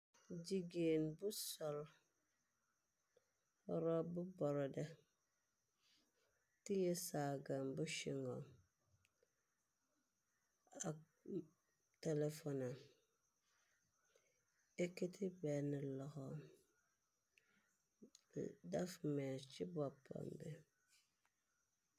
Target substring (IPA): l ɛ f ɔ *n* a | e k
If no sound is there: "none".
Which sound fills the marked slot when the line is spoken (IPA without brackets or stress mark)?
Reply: n